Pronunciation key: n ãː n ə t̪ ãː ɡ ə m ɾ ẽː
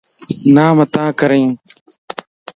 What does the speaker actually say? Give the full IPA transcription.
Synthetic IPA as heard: n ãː m ə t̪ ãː k ə ɾ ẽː